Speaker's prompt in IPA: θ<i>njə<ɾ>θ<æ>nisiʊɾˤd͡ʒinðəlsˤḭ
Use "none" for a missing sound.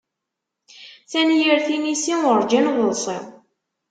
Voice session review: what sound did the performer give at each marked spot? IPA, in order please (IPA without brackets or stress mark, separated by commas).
æ, ɾ, i